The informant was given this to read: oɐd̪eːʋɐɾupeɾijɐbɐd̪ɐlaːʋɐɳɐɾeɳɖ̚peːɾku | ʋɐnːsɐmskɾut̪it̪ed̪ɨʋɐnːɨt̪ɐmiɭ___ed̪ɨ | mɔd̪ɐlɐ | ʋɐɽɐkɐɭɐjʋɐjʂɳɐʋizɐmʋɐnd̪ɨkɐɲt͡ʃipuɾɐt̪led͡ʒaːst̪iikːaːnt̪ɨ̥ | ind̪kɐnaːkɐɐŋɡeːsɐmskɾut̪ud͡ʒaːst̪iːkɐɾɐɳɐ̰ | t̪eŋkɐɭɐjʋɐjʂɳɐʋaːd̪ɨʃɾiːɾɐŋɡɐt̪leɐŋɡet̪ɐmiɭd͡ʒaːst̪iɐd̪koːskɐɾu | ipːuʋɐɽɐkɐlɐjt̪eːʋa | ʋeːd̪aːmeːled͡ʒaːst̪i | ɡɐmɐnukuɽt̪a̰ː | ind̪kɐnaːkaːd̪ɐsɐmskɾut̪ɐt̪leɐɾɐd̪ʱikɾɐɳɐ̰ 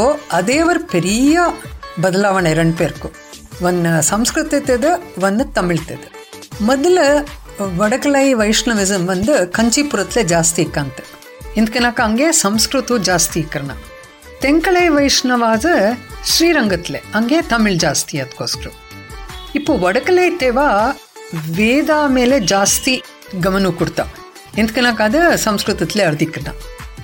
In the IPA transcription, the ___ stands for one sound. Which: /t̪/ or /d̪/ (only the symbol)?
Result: t̪